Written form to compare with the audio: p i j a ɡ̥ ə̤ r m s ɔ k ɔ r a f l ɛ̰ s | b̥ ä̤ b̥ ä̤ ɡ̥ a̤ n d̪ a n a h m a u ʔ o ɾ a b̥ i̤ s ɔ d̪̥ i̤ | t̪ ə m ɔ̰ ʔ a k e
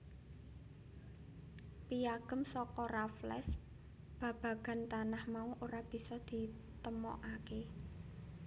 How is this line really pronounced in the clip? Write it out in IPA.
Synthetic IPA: p i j a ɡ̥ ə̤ m s ɔ k ɔ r a f l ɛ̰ s | b̥ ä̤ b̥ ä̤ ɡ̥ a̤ n t̪ a n a h m a u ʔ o ɾ a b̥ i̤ s ɔ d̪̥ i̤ | t̪ ə m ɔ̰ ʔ a k e